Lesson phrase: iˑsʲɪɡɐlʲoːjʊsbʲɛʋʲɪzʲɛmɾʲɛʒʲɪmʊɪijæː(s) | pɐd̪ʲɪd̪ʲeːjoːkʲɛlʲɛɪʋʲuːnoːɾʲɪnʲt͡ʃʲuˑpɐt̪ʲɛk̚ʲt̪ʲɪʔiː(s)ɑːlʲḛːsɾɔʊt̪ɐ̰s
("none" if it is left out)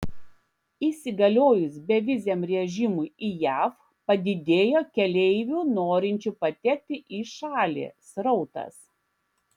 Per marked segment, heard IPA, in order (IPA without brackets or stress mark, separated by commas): f, ʃ